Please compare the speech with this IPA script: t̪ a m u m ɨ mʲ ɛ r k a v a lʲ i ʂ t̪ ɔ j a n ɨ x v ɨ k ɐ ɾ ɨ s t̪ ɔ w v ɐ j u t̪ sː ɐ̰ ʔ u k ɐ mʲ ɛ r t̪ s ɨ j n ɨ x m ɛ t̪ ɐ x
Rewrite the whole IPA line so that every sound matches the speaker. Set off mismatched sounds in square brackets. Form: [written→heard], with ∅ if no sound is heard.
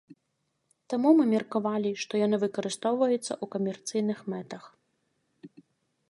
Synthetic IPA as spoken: t̪ a m u m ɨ mʲ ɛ r k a v a lʲ i ʂ t̪ ɔ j a n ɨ [x→∅] v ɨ k ɐ ɾ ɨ s t̪ ɔ w v ɐ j u t̪ sː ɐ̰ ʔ u k ɐ mʲ ɛ r t̪ s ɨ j n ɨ x m ɛ t̪ ɐ x